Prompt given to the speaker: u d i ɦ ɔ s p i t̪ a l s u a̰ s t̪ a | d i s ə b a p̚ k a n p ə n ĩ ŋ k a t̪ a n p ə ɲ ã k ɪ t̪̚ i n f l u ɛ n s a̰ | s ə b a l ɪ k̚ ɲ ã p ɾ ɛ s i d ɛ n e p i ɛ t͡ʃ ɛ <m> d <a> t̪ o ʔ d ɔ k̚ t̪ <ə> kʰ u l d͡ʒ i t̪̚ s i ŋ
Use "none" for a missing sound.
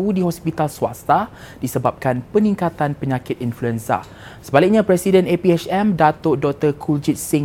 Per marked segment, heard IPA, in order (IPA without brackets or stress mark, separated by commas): m, a, ə